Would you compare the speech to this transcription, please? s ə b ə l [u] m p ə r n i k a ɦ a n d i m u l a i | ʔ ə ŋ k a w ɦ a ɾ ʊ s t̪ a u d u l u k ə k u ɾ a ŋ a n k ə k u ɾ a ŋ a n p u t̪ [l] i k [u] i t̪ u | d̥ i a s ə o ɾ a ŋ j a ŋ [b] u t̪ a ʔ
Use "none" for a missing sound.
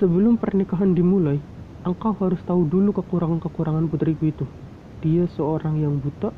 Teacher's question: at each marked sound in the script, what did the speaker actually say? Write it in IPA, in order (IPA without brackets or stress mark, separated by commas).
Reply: ʊ, ɾ, u, b